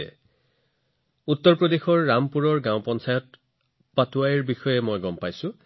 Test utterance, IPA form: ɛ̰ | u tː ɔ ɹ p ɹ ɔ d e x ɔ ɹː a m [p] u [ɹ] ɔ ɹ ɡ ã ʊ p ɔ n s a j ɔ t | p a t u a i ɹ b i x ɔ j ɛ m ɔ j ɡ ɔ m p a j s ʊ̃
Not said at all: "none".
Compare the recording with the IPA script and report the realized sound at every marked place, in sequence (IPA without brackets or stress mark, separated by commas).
p, ɹ